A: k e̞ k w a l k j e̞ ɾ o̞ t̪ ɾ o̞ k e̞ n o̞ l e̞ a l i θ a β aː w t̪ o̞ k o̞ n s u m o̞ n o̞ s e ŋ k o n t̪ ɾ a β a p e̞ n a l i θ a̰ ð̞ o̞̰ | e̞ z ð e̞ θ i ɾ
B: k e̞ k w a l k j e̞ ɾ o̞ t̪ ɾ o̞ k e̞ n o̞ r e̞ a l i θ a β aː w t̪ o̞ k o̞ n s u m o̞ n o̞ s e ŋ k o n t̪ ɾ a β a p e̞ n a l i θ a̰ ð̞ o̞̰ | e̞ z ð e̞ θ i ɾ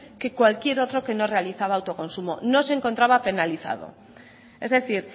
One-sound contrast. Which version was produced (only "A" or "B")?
B